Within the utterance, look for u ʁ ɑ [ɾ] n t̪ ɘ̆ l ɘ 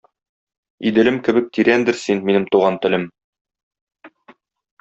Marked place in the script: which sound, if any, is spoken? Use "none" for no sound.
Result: none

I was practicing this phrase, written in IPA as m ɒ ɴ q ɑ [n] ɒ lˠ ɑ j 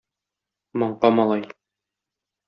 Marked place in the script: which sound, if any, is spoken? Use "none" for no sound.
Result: m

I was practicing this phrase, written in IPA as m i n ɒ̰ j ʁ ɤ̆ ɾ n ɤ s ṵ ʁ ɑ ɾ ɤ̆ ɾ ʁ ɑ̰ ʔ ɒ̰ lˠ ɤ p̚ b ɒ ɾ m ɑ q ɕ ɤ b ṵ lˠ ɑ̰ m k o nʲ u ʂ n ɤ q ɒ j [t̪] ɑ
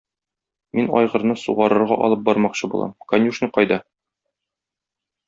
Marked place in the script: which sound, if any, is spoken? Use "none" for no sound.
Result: d̪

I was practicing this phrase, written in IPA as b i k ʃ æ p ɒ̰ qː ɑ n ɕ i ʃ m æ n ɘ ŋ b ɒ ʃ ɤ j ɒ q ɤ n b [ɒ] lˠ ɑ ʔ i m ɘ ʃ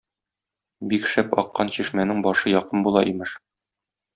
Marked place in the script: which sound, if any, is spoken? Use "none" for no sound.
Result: u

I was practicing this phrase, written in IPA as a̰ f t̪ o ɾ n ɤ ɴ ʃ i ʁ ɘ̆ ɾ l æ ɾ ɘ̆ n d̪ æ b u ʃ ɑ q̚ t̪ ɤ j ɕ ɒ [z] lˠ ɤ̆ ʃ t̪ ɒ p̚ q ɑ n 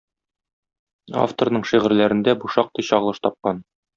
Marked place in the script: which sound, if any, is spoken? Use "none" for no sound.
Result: ʁ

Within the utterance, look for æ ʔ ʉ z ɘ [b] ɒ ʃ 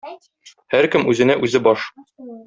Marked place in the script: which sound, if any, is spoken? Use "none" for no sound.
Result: b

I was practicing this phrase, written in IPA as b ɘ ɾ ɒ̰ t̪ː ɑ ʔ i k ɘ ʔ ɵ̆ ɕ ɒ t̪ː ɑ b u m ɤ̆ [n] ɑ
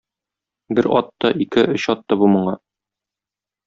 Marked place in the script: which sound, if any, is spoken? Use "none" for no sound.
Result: ɴ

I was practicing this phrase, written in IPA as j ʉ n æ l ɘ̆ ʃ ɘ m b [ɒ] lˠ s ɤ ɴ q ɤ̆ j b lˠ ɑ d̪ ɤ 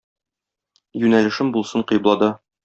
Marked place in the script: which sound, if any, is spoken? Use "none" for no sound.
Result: u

